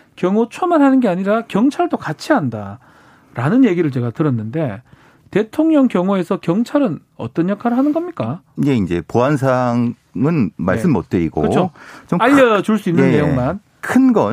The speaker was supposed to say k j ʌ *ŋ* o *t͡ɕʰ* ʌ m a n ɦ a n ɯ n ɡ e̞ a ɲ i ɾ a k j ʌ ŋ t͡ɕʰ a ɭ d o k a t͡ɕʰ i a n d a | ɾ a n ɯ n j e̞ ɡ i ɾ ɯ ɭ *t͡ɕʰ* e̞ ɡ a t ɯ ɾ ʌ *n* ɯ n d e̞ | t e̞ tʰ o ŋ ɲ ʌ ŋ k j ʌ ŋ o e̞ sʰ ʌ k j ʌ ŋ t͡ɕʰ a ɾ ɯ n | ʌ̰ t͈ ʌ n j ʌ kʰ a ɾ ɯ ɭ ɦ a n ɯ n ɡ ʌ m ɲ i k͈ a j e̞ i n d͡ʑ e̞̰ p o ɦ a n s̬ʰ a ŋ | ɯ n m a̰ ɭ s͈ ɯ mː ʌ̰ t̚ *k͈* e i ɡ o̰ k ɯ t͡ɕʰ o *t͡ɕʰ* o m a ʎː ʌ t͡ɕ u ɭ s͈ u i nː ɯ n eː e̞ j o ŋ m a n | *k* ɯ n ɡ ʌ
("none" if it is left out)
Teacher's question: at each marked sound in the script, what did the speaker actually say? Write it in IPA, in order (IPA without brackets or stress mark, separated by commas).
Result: ŋ, t͡ɕʰ, t͡ɕ, nː, t͈, t͡ɕ, kʰ